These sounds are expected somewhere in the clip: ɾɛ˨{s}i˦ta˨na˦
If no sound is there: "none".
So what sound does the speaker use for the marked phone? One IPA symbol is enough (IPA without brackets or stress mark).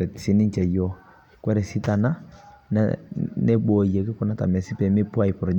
s